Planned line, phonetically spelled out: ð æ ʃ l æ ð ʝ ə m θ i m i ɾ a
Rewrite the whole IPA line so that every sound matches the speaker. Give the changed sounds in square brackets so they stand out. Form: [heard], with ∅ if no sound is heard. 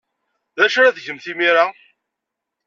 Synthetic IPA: ð æ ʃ [ɾ] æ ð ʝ ə m θ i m i ɾ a